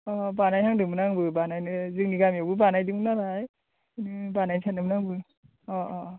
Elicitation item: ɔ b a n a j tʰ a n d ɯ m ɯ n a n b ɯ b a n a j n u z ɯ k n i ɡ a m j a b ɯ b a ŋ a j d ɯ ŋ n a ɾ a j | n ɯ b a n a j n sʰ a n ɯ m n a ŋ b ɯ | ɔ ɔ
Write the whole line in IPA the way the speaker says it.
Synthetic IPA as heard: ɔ b a n a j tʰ a ŋ d ɯ m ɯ n a ŋ b ɯ b a n a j n ɯ z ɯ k n i ɡ a m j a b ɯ b a n a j d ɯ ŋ n a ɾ a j | n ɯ b a n a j n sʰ a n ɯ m n a ŋ b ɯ | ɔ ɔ